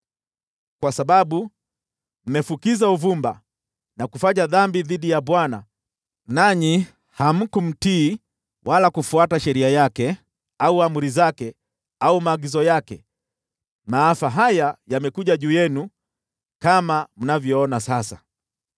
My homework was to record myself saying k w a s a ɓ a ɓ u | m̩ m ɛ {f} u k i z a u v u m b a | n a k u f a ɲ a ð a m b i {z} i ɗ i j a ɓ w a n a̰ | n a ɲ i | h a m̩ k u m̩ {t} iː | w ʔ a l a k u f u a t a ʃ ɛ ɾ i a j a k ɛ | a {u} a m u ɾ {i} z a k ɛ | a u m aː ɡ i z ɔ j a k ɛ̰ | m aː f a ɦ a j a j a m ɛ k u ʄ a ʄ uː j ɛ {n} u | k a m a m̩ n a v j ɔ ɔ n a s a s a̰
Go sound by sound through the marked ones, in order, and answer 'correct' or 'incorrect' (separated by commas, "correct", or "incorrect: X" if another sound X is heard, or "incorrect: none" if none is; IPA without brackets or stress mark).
correct, incorrect: ð, correct, correct, correct, correct